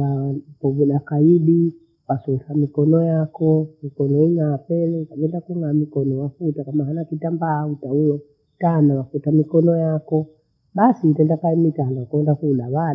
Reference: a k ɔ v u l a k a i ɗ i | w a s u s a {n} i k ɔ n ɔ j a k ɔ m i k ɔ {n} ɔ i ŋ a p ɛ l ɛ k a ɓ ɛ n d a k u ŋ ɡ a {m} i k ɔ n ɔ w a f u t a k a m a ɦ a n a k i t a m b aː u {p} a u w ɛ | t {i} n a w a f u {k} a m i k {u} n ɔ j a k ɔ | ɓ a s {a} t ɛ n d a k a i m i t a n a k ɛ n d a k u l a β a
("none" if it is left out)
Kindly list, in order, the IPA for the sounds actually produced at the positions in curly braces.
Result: m, n, m, t, a, t, ɔ, i

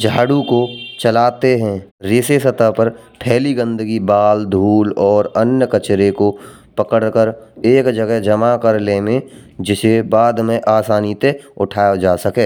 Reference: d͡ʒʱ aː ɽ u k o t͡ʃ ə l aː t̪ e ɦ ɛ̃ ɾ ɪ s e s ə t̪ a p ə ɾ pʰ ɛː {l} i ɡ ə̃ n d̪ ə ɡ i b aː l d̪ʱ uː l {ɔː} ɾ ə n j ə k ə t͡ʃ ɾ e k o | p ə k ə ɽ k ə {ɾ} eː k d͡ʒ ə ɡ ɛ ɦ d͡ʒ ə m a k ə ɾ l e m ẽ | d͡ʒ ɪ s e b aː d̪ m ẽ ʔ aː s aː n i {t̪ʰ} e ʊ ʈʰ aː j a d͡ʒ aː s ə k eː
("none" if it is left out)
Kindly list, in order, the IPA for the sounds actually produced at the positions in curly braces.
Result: l, ɔː, ɾ, t̪

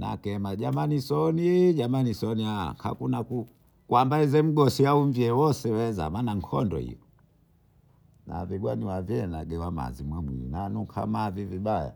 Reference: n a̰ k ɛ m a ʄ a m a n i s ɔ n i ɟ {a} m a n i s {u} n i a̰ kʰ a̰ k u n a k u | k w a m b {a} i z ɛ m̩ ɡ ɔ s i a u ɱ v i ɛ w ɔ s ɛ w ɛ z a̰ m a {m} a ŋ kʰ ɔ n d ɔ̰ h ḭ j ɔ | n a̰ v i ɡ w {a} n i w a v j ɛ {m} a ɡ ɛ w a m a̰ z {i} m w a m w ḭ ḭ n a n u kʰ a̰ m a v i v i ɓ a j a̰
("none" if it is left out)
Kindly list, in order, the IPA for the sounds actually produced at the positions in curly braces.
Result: a, ɔ, a, n, a, n, i

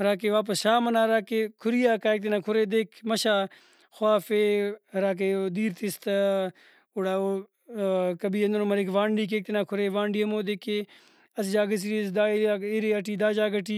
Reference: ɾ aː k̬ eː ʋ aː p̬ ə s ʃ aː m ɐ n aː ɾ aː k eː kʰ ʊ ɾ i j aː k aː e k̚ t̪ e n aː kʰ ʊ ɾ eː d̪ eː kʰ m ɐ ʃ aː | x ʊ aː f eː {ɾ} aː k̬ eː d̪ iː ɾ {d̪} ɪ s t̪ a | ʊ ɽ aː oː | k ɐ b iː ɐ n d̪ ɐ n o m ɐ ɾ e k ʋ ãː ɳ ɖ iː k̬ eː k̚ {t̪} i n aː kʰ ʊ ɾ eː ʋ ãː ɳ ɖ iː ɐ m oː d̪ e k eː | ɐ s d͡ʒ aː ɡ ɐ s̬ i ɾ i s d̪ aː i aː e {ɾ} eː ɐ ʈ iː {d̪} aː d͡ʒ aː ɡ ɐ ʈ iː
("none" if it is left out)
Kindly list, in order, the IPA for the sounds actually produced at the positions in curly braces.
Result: ɾ, t̪, t̪, ɾ, d̪

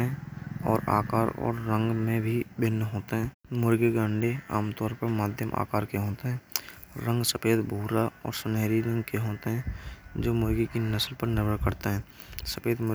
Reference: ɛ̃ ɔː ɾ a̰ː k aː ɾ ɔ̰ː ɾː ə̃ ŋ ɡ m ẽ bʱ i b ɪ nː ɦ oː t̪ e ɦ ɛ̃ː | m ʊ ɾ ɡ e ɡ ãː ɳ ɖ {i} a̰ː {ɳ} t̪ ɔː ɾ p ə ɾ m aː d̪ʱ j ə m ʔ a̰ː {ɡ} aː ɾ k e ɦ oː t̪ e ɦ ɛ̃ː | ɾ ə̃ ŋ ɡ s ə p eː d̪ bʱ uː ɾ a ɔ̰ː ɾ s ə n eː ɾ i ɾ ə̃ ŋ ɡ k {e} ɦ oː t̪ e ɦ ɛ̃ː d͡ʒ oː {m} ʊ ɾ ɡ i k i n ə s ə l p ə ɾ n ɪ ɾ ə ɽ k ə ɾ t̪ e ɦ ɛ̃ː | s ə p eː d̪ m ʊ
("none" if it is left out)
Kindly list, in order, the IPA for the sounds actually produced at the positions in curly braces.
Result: e, m, k, e, m

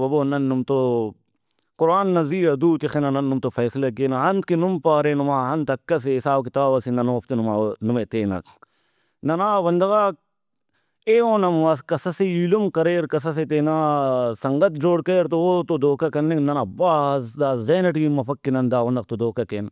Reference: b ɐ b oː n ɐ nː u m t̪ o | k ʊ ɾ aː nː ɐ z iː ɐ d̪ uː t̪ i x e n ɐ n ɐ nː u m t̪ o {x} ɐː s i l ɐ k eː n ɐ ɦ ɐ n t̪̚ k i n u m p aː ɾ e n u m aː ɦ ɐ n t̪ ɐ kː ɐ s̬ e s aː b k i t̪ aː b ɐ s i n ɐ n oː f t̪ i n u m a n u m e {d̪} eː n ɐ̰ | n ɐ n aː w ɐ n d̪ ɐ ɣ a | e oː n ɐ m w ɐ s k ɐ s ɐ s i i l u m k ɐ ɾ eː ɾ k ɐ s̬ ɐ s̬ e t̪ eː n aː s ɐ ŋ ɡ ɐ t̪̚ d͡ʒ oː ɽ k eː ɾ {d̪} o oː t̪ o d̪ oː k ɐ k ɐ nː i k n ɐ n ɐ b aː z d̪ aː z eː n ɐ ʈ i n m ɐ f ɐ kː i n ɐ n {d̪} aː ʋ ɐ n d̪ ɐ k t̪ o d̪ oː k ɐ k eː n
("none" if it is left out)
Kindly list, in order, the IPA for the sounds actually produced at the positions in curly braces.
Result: f, t̪, t̪, d̪

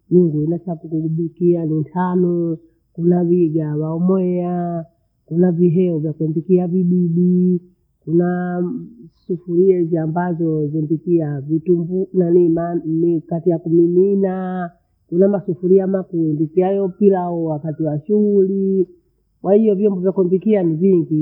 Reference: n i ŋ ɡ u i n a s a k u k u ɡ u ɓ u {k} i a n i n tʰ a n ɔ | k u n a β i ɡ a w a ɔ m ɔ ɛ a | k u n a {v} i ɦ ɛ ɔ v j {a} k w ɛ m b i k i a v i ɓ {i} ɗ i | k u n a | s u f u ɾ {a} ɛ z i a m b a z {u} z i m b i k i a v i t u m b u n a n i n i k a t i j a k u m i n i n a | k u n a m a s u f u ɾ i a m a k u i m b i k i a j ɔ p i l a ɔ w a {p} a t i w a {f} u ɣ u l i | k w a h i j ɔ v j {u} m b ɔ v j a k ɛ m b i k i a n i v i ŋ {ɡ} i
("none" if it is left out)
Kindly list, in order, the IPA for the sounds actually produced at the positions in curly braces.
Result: k, v, a, i, i, ɔ, k, ʃ, ɔ, ɡ

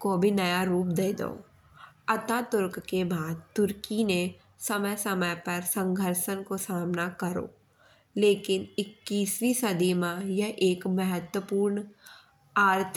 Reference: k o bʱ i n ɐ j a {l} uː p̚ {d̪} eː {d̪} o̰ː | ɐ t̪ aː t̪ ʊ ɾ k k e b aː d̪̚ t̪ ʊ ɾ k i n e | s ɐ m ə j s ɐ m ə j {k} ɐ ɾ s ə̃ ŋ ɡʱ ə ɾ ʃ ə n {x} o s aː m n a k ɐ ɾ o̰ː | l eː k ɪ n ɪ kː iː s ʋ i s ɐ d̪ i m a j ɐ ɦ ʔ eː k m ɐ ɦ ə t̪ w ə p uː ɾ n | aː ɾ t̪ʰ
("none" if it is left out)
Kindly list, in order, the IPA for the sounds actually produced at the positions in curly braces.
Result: ɾ, d̪, d̪, p, k

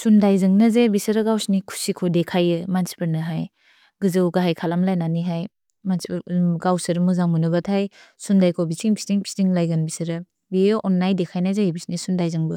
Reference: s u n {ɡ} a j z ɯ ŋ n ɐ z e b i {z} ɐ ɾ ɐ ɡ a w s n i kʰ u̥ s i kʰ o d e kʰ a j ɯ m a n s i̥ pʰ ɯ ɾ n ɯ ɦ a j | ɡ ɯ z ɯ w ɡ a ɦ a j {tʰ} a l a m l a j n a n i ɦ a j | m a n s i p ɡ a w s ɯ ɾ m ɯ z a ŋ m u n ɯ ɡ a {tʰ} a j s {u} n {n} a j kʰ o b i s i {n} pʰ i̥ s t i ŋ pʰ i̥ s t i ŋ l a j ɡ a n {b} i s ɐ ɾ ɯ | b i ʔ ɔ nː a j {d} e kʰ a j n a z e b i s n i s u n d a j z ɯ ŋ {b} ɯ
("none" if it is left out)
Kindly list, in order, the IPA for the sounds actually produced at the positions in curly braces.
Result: d, s, kʰ, tʰ, u, d, ŋ, b, d, b

